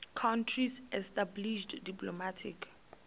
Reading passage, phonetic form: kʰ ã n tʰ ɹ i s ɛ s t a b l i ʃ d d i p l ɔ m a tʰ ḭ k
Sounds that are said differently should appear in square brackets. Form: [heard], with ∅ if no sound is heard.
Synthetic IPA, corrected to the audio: kʰ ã n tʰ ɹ i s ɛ s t a b l i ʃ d d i p l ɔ m a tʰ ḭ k